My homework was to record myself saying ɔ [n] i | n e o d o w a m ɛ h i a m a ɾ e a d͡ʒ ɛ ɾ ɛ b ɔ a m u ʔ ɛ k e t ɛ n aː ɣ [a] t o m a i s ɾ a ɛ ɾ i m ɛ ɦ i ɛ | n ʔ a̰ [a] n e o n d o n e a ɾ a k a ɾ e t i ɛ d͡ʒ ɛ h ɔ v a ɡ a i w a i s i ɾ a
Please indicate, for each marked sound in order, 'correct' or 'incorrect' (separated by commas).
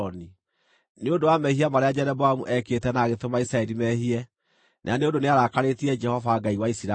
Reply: correct, incorrect, correct